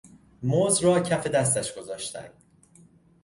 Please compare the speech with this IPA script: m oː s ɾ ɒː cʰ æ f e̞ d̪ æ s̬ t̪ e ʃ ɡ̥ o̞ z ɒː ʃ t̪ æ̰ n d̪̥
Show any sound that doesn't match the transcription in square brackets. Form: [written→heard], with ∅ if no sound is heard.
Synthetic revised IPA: m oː [s→z] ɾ ɒː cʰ æ f e̞ d̪ æ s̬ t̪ [e→æ] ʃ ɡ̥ o̞ z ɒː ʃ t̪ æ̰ n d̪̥